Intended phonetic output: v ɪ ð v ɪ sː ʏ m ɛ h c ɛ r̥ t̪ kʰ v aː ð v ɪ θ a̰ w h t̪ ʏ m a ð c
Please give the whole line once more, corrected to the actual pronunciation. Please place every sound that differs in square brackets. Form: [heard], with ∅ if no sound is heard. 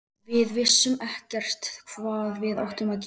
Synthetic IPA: v ɪ ð v ɪ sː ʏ m ɛ h c ɛ r̥ t̪ kʰ v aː ð v ɪ [ð] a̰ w h t̪ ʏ m a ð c